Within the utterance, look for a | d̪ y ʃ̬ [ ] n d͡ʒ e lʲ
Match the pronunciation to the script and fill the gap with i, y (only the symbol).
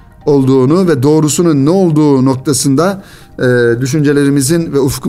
y